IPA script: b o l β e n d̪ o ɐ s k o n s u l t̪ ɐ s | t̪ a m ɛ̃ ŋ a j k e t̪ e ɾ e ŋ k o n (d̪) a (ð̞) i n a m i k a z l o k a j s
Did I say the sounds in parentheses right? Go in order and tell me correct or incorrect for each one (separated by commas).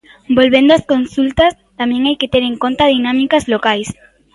incorrect, correct